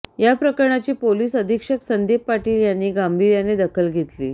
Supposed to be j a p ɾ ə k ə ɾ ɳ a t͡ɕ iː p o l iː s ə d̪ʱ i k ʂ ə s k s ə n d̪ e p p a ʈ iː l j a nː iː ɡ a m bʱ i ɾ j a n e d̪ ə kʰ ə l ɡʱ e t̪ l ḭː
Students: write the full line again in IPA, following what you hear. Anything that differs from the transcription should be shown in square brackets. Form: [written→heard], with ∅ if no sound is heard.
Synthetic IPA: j a p ɾ ə k ə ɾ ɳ a t͡ɕ iː p o l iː s ə d̪ʱ i k ʂ ə [s→∅] k s ə n d̪ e p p a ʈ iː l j a nː iː ɡ a m bʱ i ɾ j a n e d̪ ə kʰ ə l ɡʱ e t̪ l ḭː